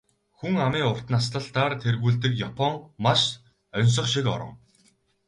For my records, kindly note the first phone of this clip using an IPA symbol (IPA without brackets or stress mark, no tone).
x